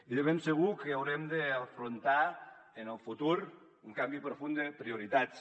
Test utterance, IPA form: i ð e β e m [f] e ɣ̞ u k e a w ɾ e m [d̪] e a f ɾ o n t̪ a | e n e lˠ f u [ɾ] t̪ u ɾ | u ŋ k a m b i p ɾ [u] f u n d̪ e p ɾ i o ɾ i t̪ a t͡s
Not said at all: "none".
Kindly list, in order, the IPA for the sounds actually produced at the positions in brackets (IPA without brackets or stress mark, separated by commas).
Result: s, d̪, none, o